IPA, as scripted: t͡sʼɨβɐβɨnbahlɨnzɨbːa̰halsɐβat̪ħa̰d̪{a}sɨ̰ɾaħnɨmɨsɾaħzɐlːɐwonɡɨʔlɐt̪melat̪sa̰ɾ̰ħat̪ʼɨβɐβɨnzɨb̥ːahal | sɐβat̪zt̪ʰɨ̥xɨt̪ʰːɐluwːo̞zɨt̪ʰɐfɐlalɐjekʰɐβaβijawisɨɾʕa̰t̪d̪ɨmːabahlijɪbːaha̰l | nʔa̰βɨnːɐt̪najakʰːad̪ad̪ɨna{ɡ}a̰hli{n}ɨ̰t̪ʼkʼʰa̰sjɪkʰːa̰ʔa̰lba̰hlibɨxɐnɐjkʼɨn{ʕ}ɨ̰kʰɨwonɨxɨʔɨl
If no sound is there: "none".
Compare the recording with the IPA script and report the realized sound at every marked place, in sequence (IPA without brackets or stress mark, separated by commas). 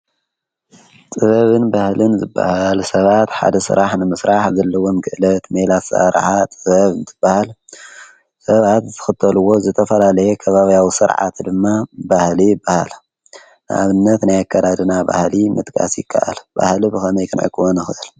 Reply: ɐ, b, m, ʕ